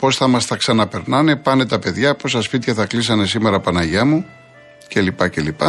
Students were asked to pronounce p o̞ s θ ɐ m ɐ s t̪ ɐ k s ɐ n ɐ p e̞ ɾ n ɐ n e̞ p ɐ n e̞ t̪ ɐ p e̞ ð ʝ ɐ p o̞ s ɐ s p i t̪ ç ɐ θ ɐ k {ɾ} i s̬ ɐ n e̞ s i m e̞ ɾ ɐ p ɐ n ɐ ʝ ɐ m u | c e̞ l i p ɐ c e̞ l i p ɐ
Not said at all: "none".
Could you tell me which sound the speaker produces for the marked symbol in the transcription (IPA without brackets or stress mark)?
l